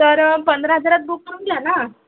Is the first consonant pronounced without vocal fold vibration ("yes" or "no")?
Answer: yes